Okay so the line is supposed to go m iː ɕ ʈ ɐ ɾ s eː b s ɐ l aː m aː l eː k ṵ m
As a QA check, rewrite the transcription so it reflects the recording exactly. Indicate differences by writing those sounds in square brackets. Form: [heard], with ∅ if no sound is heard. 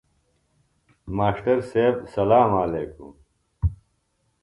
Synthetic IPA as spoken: m [aː] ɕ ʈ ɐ ɾ s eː b s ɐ l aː m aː l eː k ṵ m